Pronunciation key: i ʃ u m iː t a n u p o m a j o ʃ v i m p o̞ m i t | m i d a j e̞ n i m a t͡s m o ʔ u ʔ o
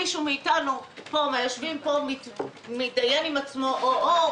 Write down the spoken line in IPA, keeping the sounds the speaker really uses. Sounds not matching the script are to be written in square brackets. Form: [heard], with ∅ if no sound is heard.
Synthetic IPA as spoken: i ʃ u m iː t a n u p o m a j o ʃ v i m p o̞ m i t | m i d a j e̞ n i m a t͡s m o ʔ [o] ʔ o